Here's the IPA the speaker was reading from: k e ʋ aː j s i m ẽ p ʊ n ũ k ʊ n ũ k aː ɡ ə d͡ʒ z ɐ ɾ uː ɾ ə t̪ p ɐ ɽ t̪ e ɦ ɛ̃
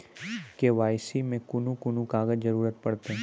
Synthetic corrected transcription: k e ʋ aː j s i m ẽ k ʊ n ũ k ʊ n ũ k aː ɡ ə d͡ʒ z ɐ ɾ uː ɾ ə t̪ p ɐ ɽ t̪ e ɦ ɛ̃